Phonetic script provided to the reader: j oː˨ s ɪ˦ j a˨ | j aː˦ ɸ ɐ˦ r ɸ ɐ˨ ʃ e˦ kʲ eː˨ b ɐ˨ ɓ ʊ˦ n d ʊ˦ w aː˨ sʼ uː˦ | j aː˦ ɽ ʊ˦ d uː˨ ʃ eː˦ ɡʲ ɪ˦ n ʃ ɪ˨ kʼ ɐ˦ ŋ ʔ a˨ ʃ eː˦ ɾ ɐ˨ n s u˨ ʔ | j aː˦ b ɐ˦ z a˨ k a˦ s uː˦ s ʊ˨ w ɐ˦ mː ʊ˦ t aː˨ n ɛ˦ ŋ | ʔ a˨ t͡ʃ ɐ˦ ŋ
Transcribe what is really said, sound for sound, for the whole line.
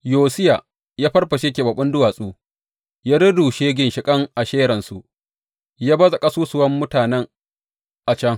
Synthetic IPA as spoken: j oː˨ s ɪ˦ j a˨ | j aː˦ ɸ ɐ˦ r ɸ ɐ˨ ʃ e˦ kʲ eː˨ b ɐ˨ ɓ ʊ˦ n d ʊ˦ w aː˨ sʼ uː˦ | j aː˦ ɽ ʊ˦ d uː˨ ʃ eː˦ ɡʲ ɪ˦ n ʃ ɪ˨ kʼ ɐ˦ ŋ ʔ a˨ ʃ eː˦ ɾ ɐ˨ n s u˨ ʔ | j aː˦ b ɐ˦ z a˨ kʼ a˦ s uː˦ s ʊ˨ w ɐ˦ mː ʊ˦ t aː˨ n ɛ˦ ŋ | ʔ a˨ t͡ʃ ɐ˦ ŋ

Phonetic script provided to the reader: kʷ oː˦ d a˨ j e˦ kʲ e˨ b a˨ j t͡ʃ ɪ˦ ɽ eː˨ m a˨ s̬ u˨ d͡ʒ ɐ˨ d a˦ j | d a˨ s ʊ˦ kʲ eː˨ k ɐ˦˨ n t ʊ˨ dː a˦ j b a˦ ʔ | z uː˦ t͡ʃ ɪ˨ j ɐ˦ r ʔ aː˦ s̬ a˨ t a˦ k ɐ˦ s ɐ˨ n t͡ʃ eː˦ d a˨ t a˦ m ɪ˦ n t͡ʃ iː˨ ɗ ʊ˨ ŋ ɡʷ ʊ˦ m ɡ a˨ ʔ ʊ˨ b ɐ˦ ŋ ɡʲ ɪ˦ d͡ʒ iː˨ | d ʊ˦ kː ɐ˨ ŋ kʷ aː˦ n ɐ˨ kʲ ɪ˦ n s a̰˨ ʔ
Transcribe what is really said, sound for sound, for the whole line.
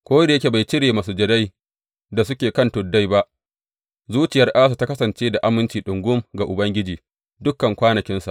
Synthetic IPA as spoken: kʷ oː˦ d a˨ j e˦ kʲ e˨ b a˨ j t͡ʃ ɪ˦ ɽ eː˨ m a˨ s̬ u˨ d͡ʒ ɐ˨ d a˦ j | d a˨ s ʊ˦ kʲ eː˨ k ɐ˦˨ n t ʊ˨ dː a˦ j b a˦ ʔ | z uː˦ t͡ʃ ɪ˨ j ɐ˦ r ʔ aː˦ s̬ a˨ t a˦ k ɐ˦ s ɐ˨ n t͡ʃ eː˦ d a˨ ʔ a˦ m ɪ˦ n t͡ʃ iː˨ ɗ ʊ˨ ŋ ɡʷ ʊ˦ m ɡ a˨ ʔ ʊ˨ b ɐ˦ ŋ ɡʲ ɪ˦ d͡ʒ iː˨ | d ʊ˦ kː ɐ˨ ŋ kʷ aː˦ n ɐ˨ kʲ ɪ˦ n s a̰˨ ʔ

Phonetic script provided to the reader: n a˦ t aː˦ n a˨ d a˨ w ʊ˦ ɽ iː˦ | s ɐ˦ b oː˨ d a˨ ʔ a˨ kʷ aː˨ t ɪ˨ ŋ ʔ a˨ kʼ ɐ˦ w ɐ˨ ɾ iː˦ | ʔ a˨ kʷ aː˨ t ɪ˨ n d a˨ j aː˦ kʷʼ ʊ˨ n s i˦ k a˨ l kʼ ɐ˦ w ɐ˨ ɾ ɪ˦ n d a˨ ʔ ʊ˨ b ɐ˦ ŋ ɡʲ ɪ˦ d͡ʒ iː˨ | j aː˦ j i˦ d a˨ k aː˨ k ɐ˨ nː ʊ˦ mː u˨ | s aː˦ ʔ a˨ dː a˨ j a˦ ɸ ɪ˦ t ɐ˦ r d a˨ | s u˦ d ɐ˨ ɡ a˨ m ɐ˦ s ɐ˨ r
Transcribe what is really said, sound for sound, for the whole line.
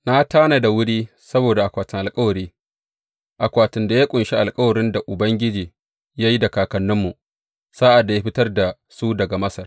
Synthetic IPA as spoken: n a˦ t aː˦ n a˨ d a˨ w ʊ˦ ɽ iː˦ | s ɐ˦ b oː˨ d a˨ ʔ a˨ kʷ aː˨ t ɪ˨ ŋ ʔ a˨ kʼ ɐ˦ w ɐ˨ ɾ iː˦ | ʔ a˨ kʷ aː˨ t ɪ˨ n d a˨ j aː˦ kʷʼ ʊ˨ n ʃ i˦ ʔ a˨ l kʼ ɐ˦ w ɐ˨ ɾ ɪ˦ n d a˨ ʔ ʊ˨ b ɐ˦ ŋ ɡʲ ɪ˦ d͡ʒ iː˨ | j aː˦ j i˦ d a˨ k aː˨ k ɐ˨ nː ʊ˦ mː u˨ | s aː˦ ʔ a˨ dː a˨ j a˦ ɸ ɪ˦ t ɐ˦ r d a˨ | s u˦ d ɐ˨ ɡ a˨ m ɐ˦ s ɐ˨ r

